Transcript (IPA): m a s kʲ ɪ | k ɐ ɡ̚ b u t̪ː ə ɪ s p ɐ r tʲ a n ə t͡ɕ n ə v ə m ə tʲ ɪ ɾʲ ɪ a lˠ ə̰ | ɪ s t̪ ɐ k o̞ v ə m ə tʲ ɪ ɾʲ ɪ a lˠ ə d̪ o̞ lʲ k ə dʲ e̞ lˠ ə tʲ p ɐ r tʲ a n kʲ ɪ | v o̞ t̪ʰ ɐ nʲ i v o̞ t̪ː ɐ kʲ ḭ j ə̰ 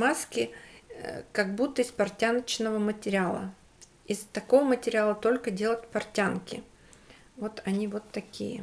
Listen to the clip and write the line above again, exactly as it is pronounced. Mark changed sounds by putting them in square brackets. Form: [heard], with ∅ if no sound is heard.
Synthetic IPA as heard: m a s kʲ ɪ | k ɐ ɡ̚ b u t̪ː ə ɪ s p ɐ r tʲ a n ə t͡ɕ n ə v ə m ə tʲ ɪ ɾʲ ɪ a lˠ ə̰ | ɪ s t̪ ɐ k o̞ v ə m ə tʲ ɪ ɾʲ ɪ a lˠ ə [t̪] o̞ lʲ k ə dʲ e̞ lˠ ə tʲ p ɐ r tʲ a n kʲ ɪ | v o̞ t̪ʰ ɐ nʲ i v o̞ t̪ː ɐ kʲ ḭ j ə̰